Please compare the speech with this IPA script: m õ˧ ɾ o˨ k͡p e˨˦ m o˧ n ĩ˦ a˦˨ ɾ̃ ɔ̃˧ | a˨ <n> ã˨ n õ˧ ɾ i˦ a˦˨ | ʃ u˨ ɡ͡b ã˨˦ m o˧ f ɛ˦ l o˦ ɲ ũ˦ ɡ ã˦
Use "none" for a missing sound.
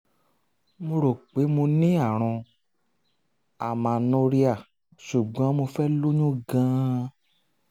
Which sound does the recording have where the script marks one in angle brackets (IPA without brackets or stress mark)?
m